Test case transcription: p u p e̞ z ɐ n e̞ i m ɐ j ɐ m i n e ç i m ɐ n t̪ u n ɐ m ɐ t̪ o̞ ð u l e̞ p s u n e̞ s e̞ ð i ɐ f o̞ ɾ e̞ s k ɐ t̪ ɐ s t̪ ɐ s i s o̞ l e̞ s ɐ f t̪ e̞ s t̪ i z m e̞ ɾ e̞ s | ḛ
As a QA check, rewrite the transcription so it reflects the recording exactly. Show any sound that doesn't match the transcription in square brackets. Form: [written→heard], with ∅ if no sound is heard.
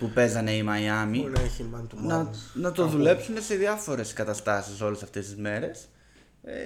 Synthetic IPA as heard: p u p e̞ z ɐ n e̞ i m ɐ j ɐ m i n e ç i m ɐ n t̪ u n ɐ [m→n] ɐ t̪ o̞ ð u l e̞ p s u n e̞ s e̞ ð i ɐ f o̞ ɾ e̞ s k ɐ t̪ ɐ s t̪ ɐ s i s o̞ l e̞ s ɐ f t̪ e̞ s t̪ i z m e̞ ɾ e̞ s | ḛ